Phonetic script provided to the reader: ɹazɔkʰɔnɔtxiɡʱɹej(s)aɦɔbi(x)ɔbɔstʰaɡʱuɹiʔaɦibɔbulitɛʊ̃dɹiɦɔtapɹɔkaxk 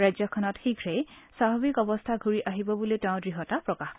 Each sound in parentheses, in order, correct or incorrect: correct, incorrect: k

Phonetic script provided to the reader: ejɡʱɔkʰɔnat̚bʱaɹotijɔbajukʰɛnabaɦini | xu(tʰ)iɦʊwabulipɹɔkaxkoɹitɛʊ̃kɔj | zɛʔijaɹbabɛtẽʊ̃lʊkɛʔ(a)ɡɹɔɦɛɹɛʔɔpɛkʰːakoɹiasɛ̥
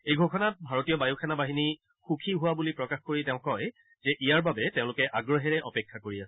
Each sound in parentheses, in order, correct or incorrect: incorrect: kʰ, correct

